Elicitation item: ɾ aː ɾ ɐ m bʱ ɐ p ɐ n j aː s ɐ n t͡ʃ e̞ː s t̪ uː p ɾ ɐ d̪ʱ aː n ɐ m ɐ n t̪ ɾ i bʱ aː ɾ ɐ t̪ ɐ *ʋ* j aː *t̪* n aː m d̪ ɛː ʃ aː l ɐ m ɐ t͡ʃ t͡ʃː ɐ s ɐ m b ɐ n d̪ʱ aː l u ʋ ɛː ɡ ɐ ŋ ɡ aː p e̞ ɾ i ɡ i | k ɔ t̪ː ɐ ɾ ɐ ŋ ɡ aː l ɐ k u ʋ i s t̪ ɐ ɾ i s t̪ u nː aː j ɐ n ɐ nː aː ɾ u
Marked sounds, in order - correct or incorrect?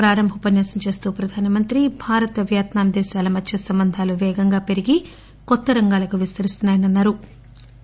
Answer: correct, correct

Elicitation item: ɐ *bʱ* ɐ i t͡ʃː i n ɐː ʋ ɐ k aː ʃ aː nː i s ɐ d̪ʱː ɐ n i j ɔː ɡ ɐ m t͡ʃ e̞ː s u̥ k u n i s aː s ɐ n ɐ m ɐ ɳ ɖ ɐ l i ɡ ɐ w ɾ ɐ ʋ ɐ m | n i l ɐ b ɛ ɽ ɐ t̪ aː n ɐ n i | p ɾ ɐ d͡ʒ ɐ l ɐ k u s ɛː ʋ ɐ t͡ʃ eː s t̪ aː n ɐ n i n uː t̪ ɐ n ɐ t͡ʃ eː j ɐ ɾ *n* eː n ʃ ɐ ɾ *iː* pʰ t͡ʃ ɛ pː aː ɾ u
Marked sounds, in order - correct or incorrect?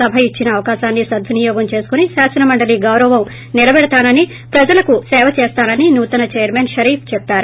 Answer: correct, incorrect, correct

